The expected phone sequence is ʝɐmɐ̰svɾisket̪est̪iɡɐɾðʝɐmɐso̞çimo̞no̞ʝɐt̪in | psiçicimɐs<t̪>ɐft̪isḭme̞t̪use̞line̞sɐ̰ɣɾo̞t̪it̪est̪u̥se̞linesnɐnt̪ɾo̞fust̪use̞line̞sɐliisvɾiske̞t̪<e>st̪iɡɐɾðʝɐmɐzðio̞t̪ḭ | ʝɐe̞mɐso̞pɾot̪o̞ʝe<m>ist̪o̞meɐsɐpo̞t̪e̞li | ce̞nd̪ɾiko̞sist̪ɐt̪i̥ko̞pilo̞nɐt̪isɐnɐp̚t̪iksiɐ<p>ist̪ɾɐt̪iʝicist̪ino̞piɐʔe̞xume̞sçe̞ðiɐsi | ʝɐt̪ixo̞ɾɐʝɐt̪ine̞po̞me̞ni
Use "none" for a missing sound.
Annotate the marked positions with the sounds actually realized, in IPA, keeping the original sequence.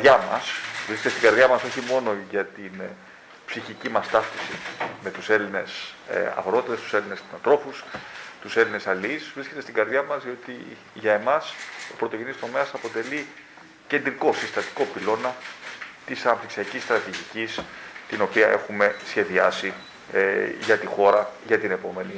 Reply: t̪, e, n, c

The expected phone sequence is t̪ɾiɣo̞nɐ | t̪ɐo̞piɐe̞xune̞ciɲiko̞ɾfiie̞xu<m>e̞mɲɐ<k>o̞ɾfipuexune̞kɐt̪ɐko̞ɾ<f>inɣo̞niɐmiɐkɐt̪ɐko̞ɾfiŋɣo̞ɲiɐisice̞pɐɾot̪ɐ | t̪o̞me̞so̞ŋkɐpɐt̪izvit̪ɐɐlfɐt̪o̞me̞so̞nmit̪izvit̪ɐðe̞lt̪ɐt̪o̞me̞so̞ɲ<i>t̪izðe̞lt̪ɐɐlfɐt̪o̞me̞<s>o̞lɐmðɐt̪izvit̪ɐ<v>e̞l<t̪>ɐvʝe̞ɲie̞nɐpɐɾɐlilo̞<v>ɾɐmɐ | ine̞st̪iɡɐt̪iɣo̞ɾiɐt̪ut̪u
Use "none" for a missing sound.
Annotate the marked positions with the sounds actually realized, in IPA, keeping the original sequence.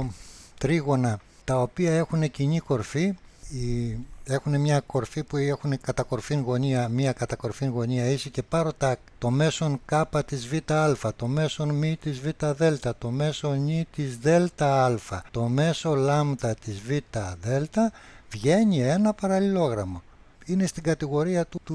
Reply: n, k, f, i, s, ð, t̪, ɣ

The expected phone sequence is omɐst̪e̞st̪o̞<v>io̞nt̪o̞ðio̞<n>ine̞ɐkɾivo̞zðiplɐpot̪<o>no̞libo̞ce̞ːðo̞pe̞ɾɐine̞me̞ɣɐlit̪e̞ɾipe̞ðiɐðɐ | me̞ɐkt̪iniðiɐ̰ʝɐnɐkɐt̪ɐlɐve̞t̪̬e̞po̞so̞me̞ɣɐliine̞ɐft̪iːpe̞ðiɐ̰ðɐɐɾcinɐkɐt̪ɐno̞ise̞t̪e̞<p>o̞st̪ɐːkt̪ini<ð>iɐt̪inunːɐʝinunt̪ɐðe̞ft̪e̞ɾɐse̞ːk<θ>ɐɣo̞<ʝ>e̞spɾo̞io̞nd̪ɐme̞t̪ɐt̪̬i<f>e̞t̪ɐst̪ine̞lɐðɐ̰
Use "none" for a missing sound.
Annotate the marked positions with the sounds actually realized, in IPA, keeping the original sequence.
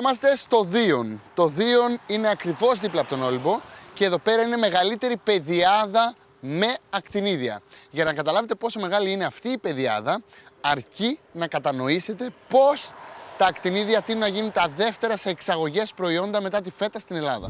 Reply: ð, n, o, p, ð, s, ʝ, f

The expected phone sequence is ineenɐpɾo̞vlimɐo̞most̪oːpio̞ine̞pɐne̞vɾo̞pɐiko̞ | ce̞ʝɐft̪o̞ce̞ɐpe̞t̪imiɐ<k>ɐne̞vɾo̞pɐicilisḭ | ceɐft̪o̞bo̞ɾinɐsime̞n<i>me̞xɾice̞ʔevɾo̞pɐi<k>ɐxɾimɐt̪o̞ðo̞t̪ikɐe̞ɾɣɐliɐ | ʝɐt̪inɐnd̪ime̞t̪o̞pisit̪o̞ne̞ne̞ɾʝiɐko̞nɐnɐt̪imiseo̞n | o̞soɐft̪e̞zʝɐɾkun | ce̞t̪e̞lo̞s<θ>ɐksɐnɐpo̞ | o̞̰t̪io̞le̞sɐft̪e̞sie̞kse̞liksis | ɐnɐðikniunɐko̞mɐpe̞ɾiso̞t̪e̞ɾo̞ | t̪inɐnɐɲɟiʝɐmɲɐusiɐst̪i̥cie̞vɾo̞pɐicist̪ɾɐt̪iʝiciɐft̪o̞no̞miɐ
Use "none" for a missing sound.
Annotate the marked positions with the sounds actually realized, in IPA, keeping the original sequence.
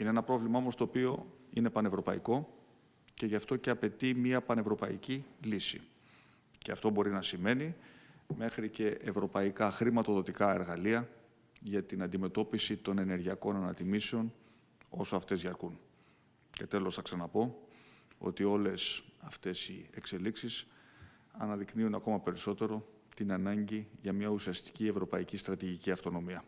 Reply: p, i, k, θ

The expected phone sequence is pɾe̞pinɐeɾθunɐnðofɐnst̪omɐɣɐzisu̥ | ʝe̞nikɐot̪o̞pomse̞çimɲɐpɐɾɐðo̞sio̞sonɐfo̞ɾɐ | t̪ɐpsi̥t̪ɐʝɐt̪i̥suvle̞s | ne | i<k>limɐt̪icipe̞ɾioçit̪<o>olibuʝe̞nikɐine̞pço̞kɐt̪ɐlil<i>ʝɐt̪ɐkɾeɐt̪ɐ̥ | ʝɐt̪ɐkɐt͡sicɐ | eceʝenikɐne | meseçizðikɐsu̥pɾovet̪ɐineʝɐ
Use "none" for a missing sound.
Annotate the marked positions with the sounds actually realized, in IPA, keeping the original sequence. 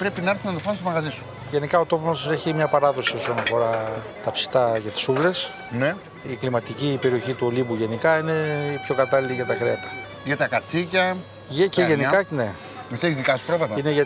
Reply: k, u, i

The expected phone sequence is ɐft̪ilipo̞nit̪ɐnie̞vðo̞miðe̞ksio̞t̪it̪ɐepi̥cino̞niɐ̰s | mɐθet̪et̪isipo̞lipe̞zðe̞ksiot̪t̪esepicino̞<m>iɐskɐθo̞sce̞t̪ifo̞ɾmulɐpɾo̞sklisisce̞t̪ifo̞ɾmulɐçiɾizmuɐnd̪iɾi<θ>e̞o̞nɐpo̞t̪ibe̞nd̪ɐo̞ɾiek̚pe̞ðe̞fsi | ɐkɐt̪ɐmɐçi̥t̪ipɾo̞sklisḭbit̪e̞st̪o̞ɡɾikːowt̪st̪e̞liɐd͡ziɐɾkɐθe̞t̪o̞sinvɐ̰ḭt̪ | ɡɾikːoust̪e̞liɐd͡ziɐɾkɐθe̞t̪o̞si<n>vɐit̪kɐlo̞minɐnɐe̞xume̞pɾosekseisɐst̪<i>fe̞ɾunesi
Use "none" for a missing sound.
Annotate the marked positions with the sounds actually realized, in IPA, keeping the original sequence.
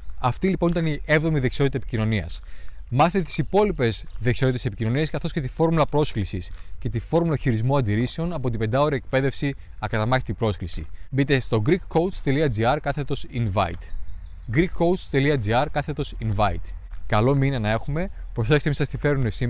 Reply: n, s, n, i

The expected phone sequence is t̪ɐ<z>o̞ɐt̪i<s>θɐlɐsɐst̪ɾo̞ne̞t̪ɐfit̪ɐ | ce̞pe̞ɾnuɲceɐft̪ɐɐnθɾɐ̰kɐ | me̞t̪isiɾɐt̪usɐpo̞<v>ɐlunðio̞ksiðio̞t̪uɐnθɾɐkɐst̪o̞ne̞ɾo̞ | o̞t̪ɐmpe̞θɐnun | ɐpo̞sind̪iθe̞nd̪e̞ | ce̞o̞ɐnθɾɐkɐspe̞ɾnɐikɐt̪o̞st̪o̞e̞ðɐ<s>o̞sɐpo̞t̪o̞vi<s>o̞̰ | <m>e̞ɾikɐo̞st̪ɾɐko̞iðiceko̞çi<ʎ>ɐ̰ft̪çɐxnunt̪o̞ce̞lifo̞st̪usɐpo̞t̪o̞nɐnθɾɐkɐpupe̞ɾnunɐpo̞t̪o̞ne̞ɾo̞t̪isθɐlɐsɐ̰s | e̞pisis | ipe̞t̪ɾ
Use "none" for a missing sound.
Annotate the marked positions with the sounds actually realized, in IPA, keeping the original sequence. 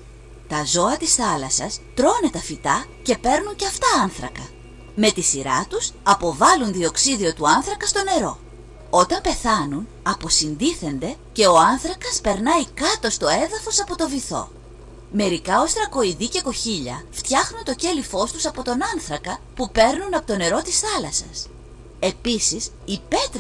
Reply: z, s, v, f, θ, m, ʎ

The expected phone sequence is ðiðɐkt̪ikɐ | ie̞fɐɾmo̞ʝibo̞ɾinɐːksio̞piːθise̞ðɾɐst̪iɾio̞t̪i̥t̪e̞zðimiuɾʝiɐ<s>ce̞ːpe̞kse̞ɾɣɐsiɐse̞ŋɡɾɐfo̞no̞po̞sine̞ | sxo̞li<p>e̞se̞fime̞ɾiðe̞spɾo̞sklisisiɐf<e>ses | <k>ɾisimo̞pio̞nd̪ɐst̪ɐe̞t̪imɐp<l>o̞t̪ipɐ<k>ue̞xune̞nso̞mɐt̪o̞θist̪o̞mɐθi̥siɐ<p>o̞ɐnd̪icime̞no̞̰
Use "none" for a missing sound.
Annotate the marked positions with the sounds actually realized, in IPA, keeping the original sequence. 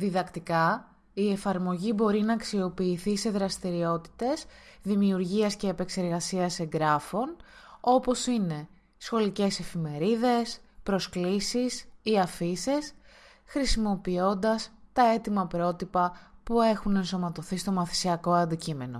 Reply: s, c, i, x, ɾ, p, k

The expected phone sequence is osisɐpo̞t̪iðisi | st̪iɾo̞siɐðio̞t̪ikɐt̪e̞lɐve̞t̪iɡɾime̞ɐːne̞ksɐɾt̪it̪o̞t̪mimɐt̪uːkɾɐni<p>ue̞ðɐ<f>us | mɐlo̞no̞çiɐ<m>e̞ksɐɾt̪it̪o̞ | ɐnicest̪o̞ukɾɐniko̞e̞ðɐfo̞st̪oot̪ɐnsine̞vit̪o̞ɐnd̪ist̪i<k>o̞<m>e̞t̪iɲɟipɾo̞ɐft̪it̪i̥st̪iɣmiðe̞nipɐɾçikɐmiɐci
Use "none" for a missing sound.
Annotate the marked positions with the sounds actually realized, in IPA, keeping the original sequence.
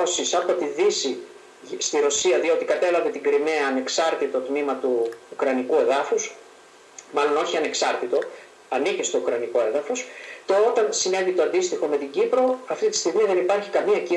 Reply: k, f, n, x, m

